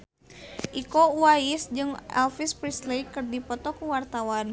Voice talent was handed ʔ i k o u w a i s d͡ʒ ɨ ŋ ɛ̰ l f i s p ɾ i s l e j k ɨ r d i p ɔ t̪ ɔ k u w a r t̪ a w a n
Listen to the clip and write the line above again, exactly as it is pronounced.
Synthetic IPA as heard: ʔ i k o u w a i s d͡ʒ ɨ ŋ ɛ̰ l f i s p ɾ i s l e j k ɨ r d i p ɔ t̪ ɔ k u w a r t̪ a w a n